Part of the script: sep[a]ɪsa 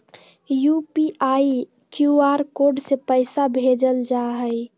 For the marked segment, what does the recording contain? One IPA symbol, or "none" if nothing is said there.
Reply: ə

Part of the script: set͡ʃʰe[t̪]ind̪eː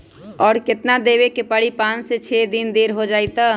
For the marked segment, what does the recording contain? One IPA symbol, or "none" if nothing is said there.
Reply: d̪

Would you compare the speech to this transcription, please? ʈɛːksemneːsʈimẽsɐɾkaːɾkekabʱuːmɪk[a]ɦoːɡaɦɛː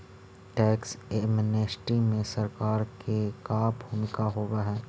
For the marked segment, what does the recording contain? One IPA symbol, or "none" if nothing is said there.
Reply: a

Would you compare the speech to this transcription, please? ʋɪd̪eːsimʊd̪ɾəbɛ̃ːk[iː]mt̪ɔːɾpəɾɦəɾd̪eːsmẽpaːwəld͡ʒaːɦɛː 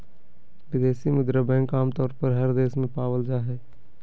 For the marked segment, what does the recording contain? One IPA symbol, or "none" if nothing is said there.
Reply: aː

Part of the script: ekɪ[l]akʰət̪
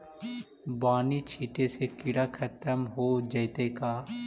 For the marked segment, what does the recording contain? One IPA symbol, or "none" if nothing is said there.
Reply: ɽ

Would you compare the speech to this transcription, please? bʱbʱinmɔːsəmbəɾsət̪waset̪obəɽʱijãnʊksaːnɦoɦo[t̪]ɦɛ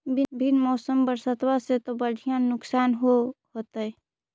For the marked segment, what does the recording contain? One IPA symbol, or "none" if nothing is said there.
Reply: t̪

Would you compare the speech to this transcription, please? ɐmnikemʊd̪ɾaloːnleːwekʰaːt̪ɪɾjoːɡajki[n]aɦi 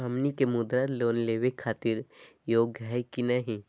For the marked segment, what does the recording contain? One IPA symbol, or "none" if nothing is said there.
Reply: n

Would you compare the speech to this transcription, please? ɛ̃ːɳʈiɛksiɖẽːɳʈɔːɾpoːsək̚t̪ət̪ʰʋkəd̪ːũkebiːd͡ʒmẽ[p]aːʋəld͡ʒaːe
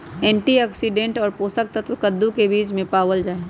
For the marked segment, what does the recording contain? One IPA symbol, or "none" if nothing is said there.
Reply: p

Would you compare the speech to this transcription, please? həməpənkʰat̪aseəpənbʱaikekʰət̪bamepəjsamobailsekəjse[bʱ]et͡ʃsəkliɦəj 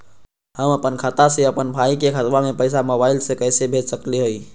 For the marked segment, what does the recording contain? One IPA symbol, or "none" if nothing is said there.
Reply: bʱ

